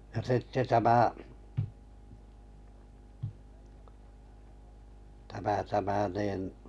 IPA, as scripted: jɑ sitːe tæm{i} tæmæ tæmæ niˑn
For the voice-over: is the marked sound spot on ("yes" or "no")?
no